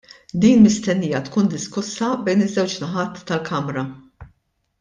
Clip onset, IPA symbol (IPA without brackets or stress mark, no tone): d̪